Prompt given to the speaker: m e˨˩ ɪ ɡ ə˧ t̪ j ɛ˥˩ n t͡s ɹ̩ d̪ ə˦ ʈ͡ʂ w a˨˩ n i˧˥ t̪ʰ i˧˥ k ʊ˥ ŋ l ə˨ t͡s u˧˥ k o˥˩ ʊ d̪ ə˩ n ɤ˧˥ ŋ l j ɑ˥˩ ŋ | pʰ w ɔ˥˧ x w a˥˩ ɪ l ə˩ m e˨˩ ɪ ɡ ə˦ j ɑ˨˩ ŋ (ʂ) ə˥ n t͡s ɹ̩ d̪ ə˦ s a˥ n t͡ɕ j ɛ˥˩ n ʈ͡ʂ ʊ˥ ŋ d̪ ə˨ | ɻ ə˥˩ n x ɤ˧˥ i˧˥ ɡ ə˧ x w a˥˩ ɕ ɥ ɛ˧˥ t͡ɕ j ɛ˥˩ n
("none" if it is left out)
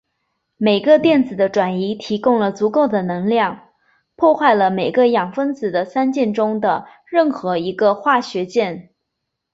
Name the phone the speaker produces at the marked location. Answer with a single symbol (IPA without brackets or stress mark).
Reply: f